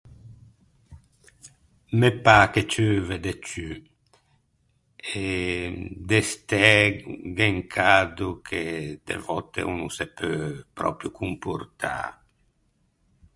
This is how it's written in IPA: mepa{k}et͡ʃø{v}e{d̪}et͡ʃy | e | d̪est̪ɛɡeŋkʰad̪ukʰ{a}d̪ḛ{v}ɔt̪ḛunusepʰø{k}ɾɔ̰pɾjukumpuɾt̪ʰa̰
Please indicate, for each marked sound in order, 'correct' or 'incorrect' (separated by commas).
correct, correct, correct, incorrect, correct, incorrect